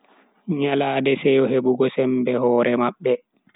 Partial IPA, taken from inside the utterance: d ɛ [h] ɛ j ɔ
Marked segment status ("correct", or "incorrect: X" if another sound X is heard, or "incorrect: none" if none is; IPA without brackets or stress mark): incorrect: s